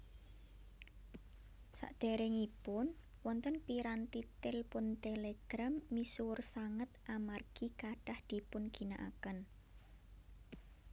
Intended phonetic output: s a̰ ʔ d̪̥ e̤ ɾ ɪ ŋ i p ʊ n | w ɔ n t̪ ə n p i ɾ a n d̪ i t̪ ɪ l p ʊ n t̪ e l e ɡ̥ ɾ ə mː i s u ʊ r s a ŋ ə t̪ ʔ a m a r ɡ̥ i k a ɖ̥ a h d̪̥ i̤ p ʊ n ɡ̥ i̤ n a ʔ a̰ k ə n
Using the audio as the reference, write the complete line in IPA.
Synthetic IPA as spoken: s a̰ ʔ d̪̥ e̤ ɾ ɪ ŋ i p ʊ n | w ɔ n t̪ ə n p i ɾ a n t̪ i t̪ ɪ l p ʊ n t̪ e l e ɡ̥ ɾ a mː i s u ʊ r s a ŋ ə t̪ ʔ a m a r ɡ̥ i k a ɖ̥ a h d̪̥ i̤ p ʊ n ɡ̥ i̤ n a ʔ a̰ k ə n